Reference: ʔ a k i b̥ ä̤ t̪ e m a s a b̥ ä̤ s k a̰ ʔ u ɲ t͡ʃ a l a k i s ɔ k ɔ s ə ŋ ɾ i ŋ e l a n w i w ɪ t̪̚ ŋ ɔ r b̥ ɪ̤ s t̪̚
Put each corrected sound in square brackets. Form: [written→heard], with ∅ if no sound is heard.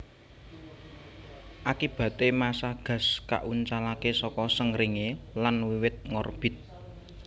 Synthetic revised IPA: ʔ a k i b̥ ä̤ t̪ e m a s a [b̥→ɡ̥] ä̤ s k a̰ ʔ u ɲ t͡ʃ a l a k [i→e] s ɔ k ɔ s ə ŋ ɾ i ŋ e l a n w i w ɪ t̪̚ ŋ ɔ r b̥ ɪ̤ [s→∅] t̪̚